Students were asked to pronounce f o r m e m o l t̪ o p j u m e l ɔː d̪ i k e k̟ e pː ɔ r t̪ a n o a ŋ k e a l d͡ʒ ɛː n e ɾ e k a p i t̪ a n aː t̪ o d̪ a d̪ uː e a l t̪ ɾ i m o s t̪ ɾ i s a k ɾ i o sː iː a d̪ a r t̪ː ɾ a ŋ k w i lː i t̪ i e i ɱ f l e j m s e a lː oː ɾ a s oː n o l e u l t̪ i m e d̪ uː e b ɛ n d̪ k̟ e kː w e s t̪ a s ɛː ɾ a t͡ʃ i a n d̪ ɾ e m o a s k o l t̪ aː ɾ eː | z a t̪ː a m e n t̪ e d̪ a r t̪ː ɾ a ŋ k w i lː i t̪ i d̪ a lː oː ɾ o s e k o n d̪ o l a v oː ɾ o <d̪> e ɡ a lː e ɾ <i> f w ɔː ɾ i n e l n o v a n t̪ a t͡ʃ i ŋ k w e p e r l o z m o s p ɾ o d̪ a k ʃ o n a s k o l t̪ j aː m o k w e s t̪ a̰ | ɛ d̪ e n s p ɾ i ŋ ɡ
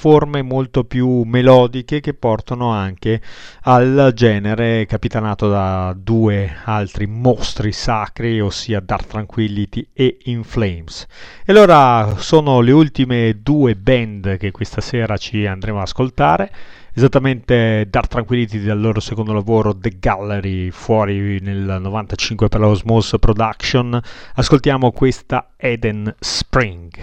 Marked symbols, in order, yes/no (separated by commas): yes, yes